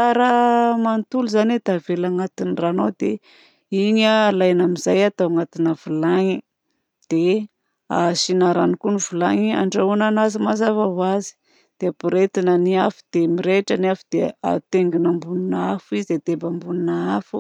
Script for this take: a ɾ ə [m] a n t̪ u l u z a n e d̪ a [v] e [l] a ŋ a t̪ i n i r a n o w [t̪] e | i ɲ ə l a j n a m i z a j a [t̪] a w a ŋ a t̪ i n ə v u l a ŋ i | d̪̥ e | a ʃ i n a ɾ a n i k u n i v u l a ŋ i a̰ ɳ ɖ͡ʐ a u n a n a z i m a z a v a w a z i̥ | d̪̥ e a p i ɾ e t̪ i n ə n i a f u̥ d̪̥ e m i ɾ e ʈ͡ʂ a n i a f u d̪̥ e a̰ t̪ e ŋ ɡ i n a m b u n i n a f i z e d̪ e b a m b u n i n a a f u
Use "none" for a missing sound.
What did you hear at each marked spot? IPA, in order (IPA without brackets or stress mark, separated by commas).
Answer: m, v, l, d̪, t̪